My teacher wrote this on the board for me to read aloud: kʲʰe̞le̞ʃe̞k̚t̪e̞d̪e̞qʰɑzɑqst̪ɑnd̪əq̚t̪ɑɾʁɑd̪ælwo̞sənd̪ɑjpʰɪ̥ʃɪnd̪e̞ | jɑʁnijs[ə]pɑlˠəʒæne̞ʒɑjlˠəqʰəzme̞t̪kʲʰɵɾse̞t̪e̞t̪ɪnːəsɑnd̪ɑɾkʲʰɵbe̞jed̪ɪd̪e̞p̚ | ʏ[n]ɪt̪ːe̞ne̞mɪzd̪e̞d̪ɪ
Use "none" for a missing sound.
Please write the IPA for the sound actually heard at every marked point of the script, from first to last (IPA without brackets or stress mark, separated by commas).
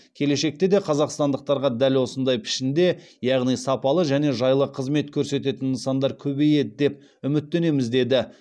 ɑ, m